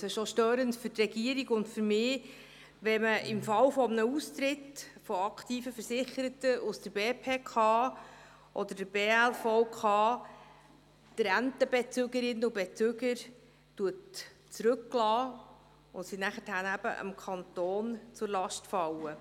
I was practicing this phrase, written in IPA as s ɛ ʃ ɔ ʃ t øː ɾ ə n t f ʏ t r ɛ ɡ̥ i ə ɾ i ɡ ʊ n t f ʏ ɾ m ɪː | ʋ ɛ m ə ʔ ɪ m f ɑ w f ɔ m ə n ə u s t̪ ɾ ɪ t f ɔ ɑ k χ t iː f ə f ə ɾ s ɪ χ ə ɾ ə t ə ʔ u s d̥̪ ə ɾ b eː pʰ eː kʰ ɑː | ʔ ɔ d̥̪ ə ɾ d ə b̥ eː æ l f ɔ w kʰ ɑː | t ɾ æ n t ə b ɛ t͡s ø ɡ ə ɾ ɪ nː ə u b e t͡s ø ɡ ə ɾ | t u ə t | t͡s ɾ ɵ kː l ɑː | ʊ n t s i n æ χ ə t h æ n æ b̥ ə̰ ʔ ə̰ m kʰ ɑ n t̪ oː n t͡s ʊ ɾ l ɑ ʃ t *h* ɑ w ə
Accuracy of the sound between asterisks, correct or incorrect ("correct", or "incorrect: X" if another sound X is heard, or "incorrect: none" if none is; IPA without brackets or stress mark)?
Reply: incorrect: f